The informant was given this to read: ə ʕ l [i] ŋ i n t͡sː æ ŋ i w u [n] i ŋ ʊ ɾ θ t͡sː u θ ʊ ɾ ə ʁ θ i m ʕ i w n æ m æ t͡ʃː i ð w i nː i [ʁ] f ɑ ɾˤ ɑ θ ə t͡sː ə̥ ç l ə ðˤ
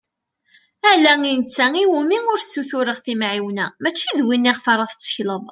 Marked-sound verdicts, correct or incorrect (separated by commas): incorrect, incorrect, correct